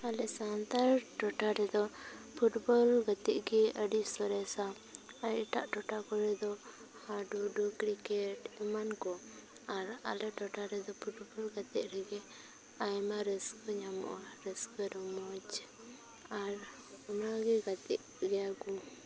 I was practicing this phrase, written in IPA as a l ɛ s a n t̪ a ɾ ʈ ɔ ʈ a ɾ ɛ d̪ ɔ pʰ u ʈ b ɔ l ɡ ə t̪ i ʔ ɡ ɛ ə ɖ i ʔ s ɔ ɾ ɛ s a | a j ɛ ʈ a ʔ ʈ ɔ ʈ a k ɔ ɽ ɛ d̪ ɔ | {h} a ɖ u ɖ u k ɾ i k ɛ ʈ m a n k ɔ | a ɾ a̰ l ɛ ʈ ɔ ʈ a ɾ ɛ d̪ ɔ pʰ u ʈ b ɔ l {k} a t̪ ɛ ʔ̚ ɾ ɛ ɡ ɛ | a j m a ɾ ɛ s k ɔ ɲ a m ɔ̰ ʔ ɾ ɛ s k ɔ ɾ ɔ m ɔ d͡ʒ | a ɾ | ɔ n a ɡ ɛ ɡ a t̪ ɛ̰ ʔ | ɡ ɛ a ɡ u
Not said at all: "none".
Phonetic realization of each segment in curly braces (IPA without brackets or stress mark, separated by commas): h, ɡ